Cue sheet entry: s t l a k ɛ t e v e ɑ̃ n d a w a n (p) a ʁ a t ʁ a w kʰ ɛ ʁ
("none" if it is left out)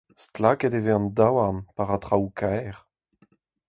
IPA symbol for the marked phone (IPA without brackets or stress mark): p